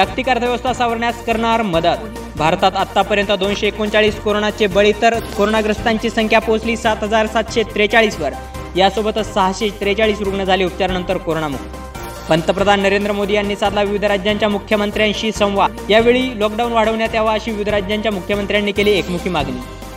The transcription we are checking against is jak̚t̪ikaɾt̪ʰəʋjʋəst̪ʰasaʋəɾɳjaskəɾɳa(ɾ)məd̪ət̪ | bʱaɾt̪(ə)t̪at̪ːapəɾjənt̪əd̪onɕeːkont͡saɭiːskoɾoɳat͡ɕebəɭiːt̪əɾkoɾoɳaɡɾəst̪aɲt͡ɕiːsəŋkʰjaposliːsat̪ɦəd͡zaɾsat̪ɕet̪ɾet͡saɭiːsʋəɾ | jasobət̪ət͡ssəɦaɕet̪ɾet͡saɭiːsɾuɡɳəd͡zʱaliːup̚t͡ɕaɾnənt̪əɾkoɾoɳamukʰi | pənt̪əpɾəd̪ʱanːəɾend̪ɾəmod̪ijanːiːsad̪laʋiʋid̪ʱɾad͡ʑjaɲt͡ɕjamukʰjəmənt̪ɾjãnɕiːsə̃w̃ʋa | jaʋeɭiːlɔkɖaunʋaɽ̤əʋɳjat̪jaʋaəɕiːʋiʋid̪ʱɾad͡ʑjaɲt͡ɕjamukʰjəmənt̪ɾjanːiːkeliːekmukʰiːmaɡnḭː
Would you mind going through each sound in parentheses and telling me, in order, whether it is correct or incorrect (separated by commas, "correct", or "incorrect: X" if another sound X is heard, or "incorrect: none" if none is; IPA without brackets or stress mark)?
correct, incorrect: a